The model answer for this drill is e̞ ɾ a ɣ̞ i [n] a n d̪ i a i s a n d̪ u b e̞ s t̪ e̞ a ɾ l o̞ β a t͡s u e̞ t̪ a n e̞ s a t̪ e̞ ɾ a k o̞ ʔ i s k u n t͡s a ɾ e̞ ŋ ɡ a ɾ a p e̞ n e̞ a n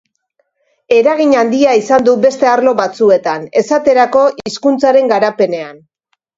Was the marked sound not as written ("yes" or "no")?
yes